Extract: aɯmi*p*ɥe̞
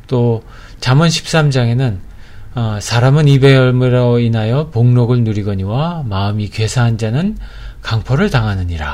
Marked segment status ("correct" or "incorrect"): incorrect